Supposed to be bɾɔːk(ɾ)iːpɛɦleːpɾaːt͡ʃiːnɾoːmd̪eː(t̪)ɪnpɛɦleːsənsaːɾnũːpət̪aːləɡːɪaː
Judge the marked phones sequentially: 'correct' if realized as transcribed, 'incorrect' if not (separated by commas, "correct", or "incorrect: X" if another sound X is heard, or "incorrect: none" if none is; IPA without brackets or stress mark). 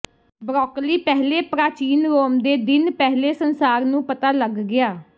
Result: incorrect: l, incorrect: d̪